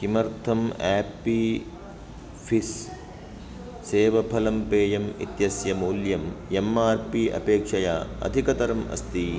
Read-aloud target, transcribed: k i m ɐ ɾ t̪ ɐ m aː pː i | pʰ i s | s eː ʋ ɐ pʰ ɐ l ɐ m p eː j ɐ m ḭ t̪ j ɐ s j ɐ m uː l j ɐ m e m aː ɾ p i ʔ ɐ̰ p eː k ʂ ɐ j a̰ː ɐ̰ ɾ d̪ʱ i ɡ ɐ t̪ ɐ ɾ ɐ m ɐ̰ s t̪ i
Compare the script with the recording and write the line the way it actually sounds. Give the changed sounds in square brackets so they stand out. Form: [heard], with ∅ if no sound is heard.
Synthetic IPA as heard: k i m ɐ ɾ [t̪ʰ] ɐ m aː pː i | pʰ i s | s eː ʋ ɐ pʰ ɐ l ɐ m p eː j ɐ m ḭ t̪ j ɐ s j ɐ m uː l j ɐ m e m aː ɾ p i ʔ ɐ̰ p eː k ʂ ɐ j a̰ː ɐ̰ [∅] d̪ʱ i [k] ɐ t̪ ɐ ɾ ɐ m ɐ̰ s t̪ i